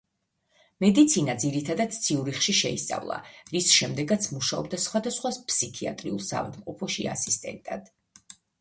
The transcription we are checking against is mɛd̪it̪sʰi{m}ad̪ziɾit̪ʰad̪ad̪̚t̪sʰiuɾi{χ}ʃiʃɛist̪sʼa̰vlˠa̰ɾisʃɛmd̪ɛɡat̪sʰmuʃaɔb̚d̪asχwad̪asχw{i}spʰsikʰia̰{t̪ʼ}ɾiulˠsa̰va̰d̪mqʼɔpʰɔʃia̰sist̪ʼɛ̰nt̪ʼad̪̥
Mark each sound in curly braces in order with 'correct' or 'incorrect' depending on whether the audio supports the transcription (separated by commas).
incorrect, correct, incorrect, correct